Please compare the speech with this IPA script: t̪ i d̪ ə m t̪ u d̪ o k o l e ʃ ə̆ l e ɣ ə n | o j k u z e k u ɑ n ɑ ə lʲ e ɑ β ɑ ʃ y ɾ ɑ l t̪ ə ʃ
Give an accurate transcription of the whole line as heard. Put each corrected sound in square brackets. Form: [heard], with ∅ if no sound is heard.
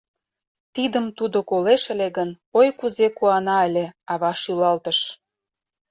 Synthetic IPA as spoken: t̪ i d̪ ə m t̪ u d̪ o k o l e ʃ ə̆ l e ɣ ə n | o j k u z e k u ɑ n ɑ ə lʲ e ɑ β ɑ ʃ y [l] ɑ l t̪ ə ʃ